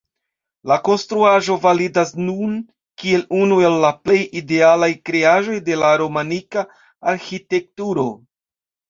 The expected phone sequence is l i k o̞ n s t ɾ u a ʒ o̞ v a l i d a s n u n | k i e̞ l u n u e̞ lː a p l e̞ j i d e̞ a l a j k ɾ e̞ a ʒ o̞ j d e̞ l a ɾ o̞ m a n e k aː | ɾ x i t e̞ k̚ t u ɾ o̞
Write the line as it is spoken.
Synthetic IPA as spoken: l a k o̞ n s t ɾ u a ʒ o̞ v a l i d a s n u n | k i e̞ l u n u e̞ lː a p l e̞ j i d e̞ a l a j k ɾ e̞ a ʒ o̞ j d e̞ l a ɾ o̞ m a n i k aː | ɾ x i t e̞ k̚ t u ɾ o̞